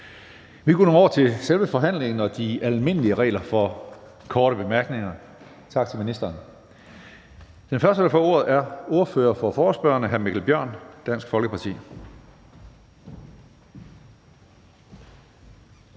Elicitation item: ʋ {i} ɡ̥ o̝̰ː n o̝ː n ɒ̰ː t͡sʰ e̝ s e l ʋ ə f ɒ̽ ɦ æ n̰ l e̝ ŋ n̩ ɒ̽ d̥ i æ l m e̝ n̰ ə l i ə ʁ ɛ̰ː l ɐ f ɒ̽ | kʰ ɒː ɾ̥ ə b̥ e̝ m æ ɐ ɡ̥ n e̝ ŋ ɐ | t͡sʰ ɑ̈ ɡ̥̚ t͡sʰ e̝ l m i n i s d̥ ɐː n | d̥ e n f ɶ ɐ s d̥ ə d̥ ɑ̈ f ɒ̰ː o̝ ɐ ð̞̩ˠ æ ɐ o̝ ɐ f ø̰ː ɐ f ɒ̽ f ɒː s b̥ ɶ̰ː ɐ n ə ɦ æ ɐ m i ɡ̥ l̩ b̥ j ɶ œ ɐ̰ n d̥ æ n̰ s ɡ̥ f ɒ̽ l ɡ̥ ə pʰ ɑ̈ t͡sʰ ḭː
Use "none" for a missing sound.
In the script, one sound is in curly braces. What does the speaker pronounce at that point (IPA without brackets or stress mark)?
i